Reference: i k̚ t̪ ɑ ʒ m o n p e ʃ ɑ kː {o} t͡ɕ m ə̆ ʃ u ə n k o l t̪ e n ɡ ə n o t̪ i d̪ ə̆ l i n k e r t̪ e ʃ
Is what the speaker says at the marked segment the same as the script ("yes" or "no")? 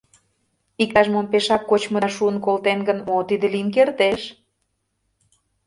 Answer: yes